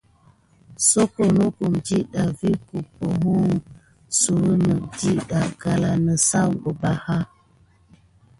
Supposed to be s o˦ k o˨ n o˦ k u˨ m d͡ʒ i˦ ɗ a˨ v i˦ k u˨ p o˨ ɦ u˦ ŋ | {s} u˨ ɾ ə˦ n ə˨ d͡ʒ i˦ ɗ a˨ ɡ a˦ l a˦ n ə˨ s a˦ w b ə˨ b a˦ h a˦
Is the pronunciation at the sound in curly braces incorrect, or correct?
correct